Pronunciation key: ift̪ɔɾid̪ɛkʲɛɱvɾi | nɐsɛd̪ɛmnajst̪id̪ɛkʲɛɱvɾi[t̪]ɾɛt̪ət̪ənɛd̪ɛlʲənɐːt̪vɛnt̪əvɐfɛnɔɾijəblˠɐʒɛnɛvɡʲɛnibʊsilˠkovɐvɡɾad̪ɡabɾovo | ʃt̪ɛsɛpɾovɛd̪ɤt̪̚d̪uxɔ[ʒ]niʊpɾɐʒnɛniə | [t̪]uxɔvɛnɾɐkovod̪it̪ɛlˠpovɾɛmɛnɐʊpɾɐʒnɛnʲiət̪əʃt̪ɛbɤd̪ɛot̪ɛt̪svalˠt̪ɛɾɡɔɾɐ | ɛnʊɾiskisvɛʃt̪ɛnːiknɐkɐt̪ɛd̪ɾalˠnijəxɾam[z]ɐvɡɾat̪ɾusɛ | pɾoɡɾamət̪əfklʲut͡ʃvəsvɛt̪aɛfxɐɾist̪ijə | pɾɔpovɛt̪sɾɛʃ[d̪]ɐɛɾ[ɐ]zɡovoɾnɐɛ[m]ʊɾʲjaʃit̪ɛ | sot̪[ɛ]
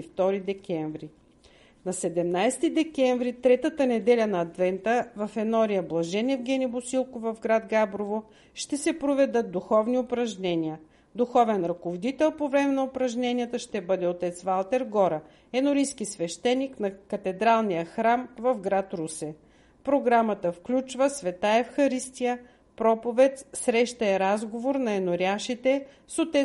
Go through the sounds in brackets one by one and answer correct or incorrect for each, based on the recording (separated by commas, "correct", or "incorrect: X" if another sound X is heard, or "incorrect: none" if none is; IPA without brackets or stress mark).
correct, incorrect: v, incorrect: d̪, incorrect: v, incorrect: t̪, incorrect: a, incorrect: n, correct